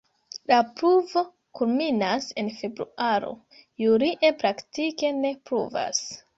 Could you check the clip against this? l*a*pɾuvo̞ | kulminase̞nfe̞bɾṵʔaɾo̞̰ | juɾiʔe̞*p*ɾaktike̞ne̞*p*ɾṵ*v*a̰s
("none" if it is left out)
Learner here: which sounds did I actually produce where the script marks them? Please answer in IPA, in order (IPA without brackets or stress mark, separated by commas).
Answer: a, p, p, v